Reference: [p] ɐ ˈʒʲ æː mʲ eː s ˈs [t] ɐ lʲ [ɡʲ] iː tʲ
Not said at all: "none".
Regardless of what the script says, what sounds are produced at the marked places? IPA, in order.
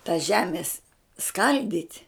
t, k, dʲ

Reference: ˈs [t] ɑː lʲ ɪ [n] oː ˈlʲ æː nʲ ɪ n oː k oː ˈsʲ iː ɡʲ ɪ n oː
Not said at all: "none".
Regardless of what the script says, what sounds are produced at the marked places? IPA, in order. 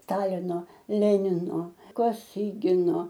t, n

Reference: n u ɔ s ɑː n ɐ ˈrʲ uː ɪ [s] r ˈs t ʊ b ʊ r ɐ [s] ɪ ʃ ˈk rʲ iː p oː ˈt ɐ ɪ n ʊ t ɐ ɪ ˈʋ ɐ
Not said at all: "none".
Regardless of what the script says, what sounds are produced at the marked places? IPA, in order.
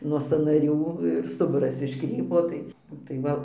none, s

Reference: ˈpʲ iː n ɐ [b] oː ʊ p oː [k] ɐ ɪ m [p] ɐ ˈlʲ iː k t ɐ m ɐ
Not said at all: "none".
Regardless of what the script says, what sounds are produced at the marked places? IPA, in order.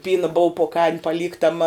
b, k, p

